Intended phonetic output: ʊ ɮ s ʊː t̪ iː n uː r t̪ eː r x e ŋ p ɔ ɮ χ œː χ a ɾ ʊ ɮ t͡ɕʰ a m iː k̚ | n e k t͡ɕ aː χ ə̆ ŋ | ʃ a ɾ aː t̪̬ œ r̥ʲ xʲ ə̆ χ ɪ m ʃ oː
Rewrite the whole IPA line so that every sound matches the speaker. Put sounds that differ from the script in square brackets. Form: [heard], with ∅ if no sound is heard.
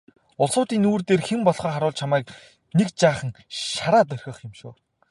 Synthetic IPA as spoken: ʊ ɮ s ʊː t̪ iː n uː r t̪ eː r x e [m] p ɔ ɮ χ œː χ a ɾ [ʊː] ɮ t͡ɕʰ a m [æː] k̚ | n e k t͡ɕ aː χ ə̆ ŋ | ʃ a ɾ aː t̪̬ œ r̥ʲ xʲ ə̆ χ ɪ m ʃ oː